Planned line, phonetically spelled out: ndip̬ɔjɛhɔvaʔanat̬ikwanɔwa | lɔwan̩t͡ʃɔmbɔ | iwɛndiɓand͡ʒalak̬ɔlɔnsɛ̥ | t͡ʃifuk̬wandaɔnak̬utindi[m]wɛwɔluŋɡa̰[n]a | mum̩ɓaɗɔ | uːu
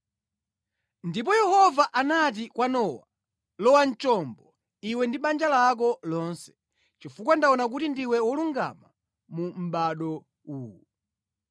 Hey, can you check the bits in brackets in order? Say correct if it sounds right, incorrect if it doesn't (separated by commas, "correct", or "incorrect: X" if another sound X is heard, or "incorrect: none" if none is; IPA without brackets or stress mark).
incorrect: none, incorrect: m